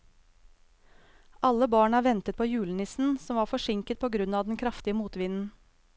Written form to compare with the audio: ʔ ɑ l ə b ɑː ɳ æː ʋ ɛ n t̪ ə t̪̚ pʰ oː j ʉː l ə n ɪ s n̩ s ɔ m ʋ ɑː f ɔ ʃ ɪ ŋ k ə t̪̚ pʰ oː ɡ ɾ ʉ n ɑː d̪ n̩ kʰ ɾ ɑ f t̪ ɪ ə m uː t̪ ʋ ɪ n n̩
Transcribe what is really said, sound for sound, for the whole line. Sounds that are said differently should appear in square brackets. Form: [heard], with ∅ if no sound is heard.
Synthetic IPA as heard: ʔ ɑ l ə b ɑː ɳ æː ʋ ɛ n t̪ ə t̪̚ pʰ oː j ʉː l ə n ɪ s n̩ s ɔ m ʋ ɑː f ɔ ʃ ɪ ŋ k ə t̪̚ pʰ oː ɡ ɾ ʉ n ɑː d̪ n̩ kʰ ɾ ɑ f t̪ ɪ ə m uː t̪ ʋ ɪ n n̩